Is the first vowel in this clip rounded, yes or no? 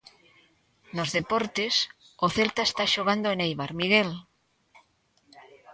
yes